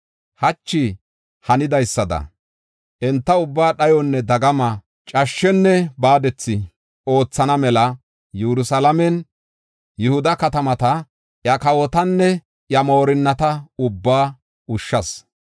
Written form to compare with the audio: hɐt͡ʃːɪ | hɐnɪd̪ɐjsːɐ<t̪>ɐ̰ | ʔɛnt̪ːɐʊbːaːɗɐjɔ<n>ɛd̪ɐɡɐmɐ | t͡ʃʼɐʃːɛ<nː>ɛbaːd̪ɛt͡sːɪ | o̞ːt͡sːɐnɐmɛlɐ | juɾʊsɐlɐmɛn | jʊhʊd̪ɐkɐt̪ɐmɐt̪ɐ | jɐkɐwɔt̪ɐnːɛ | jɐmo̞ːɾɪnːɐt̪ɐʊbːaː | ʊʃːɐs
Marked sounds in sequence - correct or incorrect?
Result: incorrect: d̪, incorrect: nː, correct

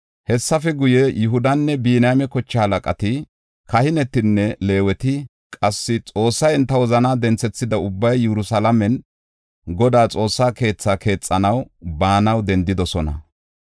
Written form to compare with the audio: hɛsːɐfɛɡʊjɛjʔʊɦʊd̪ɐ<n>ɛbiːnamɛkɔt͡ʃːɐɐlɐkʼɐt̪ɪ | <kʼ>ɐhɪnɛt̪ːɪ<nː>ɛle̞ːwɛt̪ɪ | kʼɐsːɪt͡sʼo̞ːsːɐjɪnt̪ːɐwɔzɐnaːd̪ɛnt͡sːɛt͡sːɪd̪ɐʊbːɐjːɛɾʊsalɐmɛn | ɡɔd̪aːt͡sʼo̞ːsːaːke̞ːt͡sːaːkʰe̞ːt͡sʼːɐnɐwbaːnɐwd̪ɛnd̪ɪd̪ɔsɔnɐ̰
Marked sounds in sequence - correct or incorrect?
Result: incorrect: nː, incorrect: k, correct

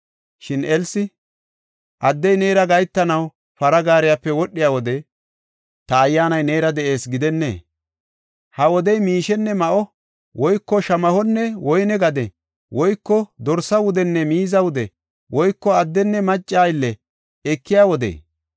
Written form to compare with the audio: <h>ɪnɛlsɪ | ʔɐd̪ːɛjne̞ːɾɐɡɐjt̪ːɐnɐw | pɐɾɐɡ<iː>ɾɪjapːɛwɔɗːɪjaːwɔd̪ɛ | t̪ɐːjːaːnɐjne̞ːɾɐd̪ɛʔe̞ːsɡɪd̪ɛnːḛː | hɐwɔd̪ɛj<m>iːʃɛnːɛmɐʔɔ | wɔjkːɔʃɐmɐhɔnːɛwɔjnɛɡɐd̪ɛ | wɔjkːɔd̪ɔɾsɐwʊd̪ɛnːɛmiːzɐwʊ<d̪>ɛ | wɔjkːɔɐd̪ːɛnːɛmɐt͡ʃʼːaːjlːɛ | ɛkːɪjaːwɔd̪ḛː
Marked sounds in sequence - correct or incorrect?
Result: incorrect: ʃ, incorrect: aː, correct, correct

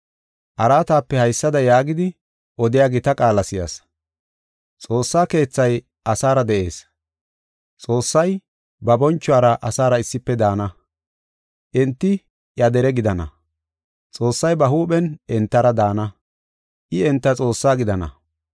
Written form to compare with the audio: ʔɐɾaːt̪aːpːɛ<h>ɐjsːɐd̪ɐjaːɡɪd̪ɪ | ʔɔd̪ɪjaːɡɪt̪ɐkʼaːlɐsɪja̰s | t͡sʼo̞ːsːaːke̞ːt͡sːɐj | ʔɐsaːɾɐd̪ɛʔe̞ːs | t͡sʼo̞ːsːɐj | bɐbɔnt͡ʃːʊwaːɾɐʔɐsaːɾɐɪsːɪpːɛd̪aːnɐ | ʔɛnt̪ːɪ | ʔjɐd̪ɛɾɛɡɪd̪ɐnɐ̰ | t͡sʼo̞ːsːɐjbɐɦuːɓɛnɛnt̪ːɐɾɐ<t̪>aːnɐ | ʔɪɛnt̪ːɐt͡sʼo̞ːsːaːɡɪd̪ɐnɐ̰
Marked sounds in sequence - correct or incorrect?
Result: correct, incorrect: d̪

